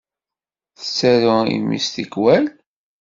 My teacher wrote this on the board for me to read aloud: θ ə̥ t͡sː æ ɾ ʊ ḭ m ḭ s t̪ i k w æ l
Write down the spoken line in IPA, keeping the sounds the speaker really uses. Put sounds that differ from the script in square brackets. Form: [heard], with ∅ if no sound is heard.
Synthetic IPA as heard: θ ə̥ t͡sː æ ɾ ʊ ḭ m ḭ s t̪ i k w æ l